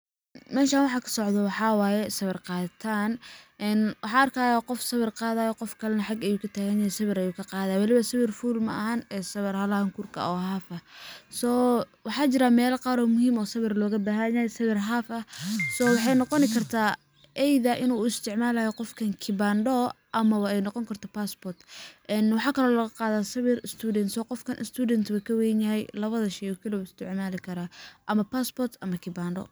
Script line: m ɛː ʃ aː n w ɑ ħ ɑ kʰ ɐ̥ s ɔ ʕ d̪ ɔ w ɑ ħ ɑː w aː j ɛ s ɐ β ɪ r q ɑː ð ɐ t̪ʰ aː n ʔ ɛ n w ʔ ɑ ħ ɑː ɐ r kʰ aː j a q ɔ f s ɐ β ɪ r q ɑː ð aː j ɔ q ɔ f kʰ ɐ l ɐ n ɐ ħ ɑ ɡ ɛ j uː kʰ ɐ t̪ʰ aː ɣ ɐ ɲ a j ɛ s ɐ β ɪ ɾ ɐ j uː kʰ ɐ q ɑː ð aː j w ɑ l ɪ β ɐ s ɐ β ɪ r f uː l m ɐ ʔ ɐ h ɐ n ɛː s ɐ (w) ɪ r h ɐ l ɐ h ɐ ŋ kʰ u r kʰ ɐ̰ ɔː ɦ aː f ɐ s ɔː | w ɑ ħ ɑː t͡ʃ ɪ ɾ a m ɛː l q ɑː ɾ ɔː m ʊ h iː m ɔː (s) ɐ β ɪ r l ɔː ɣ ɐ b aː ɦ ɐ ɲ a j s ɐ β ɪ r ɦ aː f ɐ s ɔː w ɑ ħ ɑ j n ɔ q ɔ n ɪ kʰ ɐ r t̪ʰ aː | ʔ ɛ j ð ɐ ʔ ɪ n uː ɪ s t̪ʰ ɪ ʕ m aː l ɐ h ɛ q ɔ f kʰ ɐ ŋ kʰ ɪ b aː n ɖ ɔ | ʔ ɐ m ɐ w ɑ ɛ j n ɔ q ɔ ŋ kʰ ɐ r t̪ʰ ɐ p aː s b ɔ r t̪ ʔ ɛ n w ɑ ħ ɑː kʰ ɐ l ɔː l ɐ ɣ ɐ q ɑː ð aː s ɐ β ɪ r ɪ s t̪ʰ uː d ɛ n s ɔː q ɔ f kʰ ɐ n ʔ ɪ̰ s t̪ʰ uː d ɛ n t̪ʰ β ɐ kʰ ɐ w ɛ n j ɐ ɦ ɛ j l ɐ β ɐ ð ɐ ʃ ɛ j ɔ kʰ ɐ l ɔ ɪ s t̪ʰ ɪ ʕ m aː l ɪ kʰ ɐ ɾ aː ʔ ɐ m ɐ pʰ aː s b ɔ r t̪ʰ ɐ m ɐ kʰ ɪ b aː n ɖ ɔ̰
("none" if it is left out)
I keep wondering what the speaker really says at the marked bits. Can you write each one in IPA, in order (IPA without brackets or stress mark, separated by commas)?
β, s